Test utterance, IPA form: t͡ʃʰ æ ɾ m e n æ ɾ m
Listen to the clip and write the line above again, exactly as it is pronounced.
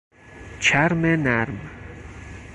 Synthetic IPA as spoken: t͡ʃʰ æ ɾ m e n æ ɾ m